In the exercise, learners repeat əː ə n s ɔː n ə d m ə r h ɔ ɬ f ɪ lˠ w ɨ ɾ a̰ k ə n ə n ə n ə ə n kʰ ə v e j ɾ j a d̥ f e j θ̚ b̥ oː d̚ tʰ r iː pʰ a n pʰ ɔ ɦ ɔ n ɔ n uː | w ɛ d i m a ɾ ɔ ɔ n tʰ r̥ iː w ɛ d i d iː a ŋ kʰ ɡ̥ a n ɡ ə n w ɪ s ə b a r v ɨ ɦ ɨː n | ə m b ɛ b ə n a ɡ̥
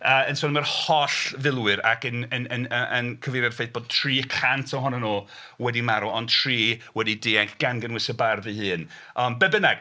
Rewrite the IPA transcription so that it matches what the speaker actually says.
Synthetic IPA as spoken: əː ə n s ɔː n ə m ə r h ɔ ɬ v ɪ lˠ w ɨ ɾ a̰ k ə n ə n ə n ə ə n kʰ ə v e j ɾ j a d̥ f e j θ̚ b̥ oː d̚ tʰ r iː kʰ a n tʰ ɔ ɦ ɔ n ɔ n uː | w ɛ d i m a ɾ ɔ ɔ n tʰ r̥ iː w ɛ d i d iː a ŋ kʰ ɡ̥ a n ɡ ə n w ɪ s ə b a r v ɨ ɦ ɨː n | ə m b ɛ b ə n a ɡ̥